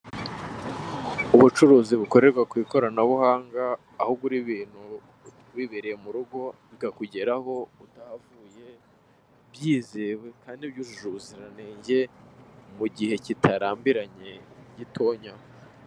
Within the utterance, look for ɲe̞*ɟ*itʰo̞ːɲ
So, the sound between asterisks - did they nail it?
yes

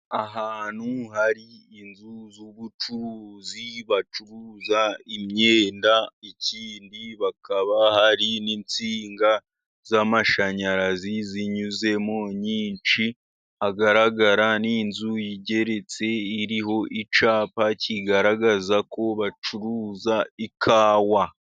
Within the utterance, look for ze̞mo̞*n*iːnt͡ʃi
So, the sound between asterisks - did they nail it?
no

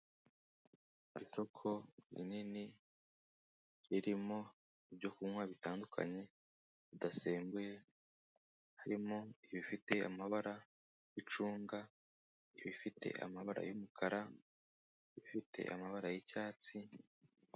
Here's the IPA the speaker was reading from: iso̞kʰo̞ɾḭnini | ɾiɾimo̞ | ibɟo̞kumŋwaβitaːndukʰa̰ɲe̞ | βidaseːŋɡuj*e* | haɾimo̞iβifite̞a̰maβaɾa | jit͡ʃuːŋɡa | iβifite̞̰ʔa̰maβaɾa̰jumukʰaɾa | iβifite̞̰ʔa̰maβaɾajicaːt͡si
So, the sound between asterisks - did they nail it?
yes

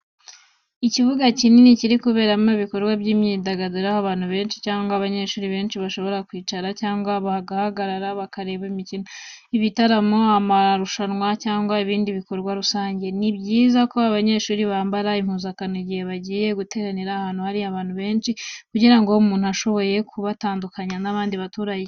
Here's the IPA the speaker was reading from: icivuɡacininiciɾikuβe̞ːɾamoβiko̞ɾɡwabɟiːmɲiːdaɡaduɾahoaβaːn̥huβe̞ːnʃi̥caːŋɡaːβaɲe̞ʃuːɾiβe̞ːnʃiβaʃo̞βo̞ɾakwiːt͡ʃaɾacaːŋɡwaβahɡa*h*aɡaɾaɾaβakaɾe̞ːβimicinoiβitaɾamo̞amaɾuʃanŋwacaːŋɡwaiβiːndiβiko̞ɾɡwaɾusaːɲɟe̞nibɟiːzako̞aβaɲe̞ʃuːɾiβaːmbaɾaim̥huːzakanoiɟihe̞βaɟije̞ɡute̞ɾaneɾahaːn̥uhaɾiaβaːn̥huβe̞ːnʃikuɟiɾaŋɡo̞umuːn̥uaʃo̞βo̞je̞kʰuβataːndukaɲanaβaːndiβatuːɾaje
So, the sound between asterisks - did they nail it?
yes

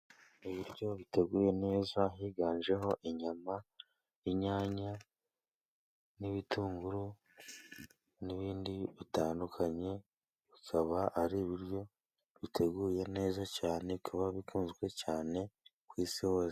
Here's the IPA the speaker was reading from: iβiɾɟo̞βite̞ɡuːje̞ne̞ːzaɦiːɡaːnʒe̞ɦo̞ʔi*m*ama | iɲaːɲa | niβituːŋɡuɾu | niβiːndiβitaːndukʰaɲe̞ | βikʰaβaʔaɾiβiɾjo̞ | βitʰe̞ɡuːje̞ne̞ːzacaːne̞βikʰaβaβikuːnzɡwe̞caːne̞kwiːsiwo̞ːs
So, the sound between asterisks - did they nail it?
no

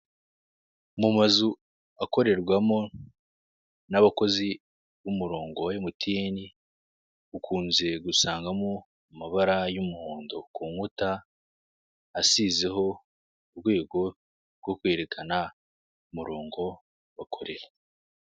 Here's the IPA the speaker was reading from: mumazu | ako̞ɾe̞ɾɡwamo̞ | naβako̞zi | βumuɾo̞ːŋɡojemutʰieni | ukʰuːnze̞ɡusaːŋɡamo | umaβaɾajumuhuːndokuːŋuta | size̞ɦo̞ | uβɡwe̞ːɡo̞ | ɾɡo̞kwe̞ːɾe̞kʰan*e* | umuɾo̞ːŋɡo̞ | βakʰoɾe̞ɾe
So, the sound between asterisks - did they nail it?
no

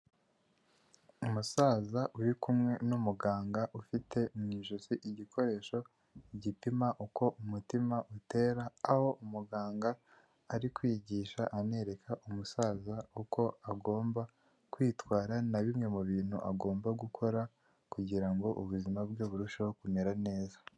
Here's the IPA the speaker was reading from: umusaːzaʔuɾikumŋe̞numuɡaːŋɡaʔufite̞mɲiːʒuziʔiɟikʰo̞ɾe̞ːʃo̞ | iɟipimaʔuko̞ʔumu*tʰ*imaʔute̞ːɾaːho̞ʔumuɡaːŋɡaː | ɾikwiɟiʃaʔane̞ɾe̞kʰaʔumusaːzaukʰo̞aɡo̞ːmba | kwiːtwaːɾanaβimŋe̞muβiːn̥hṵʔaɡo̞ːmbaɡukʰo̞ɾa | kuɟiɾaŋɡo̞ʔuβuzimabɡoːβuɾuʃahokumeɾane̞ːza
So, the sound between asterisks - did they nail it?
no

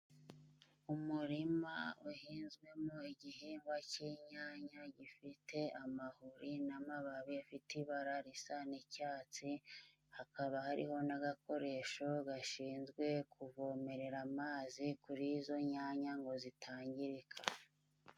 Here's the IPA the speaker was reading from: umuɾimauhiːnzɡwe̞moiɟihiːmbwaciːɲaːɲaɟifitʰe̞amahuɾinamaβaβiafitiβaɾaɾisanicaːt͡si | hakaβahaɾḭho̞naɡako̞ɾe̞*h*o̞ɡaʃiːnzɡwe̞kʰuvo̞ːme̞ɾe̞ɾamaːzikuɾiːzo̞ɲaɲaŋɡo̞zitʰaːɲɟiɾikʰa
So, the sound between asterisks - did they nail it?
no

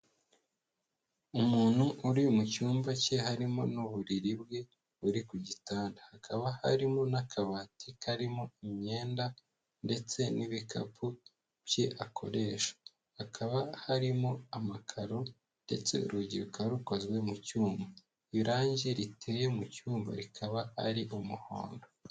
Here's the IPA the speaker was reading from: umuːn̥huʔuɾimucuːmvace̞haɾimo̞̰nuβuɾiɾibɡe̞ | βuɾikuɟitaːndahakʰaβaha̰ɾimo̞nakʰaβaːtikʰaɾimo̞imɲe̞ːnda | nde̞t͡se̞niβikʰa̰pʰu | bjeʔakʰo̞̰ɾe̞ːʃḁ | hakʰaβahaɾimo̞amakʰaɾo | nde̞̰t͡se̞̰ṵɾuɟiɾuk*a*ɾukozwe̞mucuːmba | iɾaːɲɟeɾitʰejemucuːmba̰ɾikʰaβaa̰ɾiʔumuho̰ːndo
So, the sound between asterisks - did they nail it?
yes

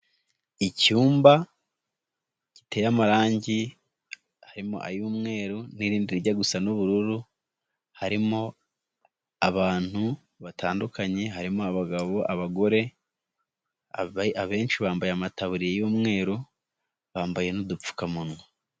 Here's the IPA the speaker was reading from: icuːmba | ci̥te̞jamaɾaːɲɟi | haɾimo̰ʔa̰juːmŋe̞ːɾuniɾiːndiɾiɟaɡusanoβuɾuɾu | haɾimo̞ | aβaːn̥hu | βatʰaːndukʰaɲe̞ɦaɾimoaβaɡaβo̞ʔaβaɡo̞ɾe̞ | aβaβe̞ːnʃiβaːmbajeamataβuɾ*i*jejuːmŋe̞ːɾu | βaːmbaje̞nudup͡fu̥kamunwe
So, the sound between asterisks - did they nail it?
yes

